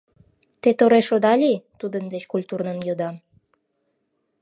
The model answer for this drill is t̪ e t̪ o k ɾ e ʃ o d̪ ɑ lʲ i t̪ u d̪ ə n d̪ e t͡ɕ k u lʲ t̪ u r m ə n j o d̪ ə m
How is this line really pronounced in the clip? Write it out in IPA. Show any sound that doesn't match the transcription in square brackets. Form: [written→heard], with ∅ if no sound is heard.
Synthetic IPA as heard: t̪ e t̪ o [k→∅] ɾ e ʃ o d̪ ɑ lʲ i t̪ u d̪ ə n d̪ e t͡ɕ k u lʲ t̪ u r [m→n] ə n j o d̪ [ə→ɑ] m